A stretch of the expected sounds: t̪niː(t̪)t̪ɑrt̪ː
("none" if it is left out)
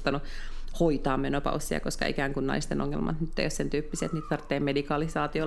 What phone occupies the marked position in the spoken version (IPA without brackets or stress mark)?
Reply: t̪